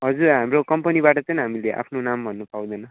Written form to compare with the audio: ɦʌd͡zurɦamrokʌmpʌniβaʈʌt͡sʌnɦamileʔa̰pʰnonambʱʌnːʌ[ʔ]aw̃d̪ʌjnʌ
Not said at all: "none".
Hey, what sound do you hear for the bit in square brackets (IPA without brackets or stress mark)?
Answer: p